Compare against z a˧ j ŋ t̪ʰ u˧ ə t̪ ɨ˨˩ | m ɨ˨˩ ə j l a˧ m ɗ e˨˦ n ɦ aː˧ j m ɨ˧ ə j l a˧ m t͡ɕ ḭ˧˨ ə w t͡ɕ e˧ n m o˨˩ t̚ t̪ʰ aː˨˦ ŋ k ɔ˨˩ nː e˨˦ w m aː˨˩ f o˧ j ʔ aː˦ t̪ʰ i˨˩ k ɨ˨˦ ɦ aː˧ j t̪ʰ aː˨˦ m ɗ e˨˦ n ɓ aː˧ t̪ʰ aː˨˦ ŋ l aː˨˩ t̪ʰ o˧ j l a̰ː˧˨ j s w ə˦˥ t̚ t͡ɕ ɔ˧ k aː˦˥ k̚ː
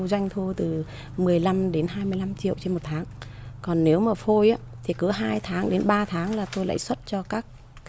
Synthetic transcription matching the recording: z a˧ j ŋ t̪ʰ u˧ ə t̪ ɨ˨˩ | m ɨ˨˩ ə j l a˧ m ɗ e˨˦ n ɦ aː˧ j m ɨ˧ ə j l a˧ m t͡ɕ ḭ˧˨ ə w t͡ɕ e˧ n m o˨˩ t̚ t̪ʰ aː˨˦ ŋ k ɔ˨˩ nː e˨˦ w m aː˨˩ f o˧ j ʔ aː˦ t̪ʰ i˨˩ k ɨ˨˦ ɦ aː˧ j t̪ʰ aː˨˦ ŋ ɗ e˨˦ n ɓ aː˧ t̪ʰ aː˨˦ ŋ l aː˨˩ t̪ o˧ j l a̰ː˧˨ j s w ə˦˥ t̚ t͡ɕ ɔ˧ k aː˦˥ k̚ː